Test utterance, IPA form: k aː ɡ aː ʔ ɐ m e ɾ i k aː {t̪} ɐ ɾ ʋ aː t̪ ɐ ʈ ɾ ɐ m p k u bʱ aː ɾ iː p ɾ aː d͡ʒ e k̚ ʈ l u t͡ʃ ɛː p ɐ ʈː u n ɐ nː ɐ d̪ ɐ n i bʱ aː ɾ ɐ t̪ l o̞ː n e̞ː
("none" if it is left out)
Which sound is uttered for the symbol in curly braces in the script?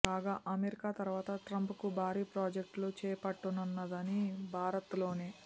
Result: t̪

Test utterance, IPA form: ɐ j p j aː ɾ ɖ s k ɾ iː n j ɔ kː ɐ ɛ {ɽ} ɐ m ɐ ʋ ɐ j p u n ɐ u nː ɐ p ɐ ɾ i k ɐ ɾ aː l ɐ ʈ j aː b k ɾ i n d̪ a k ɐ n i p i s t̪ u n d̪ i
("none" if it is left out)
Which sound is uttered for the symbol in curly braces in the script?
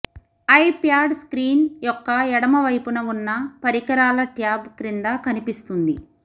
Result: ɽ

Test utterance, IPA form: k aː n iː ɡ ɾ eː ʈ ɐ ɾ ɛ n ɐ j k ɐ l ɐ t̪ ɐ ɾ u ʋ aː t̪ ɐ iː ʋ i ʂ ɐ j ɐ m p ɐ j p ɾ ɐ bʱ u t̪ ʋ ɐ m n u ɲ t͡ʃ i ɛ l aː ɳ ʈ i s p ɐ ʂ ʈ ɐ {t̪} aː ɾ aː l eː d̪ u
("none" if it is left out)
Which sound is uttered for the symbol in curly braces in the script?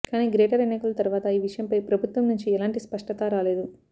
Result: t̪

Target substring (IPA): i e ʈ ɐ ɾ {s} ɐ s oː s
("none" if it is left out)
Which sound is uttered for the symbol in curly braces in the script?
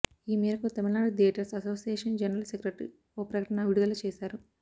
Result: s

